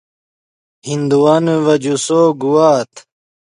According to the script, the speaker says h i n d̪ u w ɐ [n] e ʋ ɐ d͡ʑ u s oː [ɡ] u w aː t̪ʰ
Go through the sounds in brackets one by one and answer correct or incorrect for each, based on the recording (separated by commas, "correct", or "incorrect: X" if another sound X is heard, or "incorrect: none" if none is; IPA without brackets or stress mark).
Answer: correct, correct